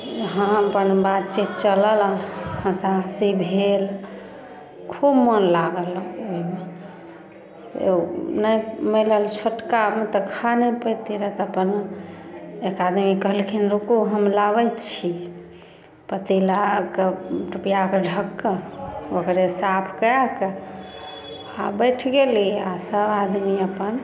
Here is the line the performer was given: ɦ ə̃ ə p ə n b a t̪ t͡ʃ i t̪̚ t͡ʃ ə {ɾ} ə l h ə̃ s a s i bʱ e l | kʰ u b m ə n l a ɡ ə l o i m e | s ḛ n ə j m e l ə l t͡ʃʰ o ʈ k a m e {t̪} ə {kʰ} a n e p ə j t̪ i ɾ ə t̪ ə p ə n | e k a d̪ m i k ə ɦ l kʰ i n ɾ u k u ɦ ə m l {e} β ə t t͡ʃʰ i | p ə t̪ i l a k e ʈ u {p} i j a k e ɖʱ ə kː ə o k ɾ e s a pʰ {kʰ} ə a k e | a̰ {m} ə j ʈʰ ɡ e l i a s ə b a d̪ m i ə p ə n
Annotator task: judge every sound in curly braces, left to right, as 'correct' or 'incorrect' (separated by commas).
incorrect, correct, correct, incorrect, correct, incorrect, incorrect